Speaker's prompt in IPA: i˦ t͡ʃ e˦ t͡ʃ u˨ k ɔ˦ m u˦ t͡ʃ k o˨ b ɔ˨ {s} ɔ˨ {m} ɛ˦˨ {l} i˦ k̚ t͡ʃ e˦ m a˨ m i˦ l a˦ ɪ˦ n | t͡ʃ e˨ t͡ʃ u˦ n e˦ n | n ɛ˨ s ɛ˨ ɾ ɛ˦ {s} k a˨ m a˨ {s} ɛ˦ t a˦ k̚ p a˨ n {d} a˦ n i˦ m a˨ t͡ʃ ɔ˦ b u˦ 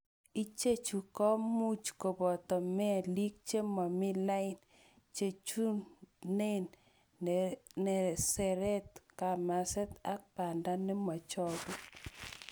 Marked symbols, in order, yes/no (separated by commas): no, yes, yes, no, yes, yes